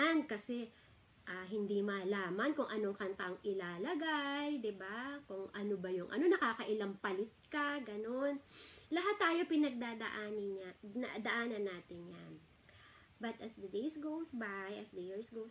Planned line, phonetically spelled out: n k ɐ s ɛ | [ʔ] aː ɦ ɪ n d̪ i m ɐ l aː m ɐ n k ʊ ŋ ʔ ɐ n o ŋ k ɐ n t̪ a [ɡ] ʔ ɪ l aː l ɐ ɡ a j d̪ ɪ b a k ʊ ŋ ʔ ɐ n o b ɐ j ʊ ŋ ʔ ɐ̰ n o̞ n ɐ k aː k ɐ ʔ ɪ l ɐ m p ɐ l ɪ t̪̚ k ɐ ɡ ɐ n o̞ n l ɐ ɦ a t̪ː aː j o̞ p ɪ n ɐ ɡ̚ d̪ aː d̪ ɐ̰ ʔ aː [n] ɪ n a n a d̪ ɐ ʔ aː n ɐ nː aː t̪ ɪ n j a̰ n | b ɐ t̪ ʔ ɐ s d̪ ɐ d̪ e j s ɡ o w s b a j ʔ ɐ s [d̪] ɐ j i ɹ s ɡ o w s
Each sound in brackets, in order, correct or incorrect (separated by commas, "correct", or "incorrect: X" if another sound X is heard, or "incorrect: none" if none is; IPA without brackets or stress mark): correct, incorrect: ŋ, correct, correct